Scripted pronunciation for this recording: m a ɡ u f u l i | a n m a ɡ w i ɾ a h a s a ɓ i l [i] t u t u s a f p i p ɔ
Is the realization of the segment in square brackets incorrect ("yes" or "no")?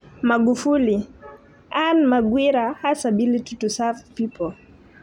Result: no